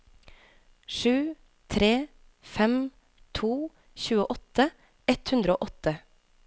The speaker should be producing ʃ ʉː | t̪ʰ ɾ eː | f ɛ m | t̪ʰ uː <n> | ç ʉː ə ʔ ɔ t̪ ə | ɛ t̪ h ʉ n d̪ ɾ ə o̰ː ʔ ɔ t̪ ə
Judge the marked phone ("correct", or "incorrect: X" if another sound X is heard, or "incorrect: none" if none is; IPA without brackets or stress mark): incorrect: none